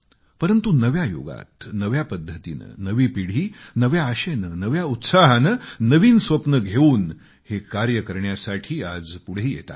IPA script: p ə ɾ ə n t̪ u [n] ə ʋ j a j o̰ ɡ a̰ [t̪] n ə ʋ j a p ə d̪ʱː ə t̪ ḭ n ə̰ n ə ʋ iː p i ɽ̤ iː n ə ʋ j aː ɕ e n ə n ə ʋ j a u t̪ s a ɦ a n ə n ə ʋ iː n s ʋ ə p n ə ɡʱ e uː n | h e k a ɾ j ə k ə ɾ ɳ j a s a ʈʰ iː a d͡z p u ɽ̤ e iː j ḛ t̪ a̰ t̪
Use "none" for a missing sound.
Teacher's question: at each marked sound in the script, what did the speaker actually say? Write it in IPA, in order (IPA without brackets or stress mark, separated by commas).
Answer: n, t̪